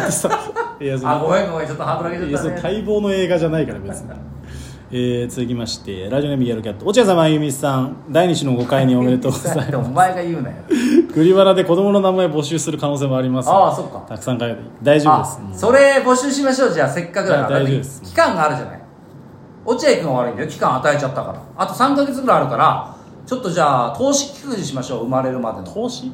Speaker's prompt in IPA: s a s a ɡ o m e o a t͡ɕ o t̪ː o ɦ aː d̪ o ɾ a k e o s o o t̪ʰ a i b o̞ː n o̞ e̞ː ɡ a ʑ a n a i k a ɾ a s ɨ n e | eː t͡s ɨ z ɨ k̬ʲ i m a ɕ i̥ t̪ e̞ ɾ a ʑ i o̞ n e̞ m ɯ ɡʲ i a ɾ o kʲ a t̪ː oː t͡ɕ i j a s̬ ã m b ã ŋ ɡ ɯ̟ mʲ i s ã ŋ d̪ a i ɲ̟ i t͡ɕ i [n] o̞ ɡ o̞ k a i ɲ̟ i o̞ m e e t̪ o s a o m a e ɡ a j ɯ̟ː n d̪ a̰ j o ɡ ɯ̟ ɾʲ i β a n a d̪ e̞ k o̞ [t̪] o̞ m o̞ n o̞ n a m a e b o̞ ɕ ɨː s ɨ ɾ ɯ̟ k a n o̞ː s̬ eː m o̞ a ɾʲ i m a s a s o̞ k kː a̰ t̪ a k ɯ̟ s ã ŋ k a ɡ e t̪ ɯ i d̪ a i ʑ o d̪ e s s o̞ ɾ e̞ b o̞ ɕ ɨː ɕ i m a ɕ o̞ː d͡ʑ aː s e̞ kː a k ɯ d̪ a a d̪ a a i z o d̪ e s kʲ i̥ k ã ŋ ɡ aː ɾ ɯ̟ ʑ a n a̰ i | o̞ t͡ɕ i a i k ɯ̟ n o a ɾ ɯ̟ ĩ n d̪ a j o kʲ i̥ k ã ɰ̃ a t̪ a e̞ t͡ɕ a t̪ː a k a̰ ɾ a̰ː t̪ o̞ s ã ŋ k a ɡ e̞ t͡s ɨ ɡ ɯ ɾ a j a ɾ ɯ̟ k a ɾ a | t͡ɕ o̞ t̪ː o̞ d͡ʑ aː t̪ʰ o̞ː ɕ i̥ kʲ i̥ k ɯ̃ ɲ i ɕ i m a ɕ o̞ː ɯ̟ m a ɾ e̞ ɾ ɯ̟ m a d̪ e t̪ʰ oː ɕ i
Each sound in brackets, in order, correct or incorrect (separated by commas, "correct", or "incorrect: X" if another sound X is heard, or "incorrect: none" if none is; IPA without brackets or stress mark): correct, incorrect: d̪